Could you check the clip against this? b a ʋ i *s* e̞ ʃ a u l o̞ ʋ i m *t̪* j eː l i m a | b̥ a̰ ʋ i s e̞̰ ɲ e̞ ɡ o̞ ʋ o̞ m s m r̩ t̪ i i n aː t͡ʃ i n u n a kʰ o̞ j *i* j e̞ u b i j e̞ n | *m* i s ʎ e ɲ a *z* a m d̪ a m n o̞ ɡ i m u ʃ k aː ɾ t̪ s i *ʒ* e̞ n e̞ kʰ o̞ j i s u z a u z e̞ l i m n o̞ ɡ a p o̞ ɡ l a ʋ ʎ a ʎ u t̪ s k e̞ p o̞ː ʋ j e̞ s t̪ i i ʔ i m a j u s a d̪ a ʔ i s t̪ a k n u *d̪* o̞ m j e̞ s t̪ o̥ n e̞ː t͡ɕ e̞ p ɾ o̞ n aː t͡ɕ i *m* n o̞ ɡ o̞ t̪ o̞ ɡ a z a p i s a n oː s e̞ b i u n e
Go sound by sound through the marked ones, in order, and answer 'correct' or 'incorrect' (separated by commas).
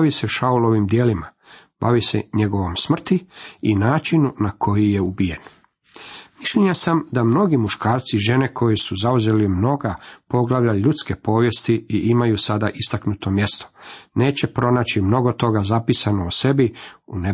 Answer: correct, incorrect, correct, correct, incorrect, correct, incorrect, correct